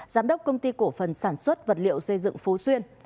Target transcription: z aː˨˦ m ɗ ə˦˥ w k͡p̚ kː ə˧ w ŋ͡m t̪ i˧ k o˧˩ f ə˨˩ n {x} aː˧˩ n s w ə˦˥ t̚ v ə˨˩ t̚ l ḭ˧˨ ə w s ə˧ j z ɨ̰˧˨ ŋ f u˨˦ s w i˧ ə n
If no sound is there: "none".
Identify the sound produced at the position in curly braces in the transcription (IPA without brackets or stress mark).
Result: s